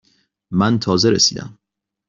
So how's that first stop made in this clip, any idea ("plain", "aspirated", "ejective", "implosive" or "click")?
aspirated